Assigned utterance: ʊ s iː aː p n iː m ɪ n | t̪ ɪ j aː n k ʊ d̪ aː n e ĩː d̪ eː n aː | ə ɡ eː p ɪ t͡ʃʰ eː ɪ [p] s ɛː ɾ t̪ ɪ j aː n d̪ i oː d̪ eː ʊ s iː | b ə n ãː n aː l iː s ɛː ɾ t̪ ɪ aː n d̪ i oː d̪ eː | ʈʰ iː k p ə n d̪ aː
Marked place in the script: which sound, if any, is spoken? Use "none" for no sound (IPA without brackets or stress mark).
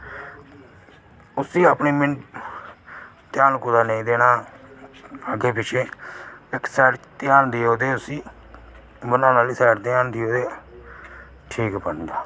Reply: k